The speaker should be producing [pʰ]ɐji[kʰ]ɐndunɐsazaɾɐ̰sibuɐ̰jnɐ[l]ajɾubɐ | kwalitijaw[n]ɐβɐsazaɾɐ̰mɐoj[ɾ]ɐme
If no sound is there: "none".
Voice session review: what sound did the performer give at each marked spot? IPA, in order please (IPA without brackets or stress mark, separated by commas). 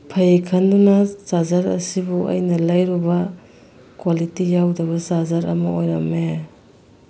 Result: pʰ, kʰ, l, d, ɾ